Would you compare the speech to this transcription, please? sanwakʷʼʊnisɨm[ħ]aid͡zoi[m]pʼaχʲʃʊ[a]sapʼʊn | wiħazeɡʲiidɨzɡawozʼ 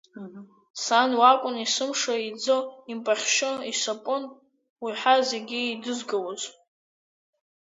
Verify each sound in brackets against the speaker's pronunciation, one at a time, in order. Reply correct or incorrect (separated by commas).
incorrect, correct, incorrect